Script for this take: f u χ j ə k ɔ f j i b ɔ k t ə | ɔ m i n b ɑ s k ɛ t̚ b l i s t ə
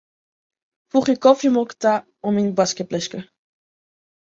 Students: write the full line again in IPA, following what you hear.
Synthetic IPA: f u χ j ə k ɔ f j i m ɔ k t a | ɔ m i n b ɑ s k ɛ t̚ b l ɛ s k ə